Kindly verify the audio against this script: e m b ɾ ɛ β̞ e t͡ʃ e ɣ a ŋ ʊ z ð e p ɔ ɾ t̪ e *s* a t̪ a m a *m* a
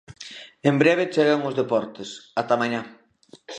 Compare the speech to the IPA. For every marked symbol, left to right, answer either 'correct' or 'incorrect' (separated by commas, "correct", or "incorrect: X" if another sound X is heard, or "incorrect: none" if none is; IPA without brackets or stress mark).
correct, incorrect: ɲ